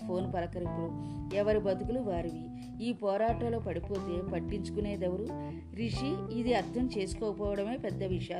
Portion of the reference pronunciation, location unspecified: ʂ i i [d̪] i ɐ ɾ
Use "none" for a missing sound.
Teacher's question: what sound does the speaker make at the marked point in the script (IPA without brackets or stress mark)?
d̪